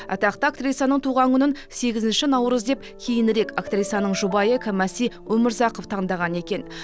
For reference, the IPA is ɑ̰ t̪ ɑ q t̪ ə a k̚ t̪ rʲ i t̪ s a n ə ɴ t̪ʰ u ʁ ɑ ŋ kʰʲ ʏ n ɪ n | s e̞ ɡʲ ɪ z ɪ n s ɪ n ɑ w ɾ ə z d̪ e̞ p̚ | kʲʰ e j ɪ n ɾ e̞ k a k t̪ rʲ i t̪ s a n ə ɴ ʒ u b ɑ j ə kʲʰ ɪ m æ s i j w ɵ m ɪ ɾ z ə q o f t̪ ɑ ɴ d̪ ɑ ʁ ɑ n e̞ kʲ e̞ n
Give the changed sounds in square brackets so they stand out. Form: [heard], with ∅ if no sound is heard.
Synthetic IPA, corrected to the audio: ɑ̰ t̪ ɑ q t̪ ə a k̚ t̪ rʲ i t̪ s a n ə ɴ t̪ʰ u ʁ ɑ ŋ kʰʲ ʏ n ɪ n | s e̞ ɡʲ ɪ z ɪ n [ʃ] ɪ n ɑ w ɾ ə z d̪ e̞ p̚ | kʲʰ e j ɪ n ɾ e̞ k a k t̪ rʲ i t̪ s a n ə ɴ ʒ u b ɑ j ə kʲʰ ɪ m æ s i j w ɵ m ɪ ɾ z [ɑ] q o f [t̪ʰ] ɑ ɴ d̪ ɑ ʁ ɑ n e̞ kʲ e̞ n

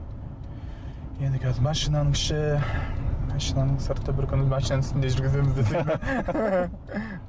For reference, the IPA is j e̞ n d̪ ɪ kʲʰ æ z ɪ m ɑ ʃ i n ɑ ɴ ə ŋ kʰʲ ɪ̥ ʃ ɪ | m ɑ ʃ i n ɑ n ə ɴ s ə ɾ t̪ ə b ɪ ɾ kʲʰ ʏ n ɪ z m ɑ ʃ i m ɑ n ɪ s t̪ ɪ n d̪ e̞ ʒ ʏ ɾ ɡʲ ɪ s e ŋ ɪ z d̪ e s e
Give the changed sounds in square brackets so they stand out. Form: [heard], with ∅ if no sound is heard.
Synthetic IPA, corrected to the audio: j e̞ n d̪ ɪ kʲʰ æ z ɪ m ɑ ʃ i n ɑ [n] ə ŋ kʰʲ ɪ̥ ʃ ɪ | m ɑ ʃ i n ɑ n ə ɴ s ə ɾ t̪ ə b ɪ ɾ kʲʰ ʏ n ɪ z m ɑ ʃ i [n] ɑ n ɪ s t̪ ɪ n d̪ e̞ ʒ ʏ ɾ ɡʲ ɪ [z] e [m] ɪ z d̪ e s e

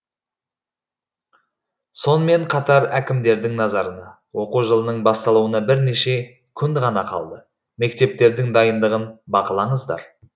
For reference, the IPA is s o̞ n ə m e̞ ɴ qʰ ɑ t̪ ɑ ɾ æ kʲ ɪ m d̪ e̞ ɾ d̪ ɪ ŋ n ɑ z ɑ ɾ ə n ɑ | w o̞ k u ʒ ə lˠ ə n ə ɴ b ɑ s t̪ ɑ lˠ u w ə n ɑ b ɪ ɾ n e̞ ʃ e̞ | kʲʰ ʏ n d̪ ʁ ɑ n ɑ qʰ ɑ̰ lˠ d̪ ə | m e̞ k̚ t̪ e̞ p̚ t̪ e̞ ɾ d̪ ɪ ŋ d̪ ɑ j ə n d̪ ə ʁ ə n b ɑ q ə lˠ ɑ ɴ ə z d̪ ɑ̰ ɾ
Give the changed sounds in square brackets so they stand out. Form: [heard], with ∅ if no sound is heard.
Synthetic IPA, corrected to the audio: s o̞ n ə m e̞ ɴ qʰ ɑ t̪ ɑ ɾ æ kʲ ɪ m d̪ e̞ ɾ d̪ ɪ ŋ n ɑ z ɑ ɾ ə n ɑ | w o̞ [q] u ʒ ə lˠ ə n ə ɴ b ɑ s t̪ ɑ lˠ u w ə n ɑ b ɪ ɾ n e̞ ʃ e̞ | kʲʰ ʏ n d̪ ʁ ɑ n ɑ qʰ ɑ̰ lˠ d̪ ə | m e̞ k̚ t̪ e̞ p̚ t̪ e̞ ɾ d̪ ɪ ŋ d̪ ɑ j ə n d̪ ə ʁ ə n b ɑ q ə lˠ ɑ ɴ ə z d̪ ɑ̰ ɾ

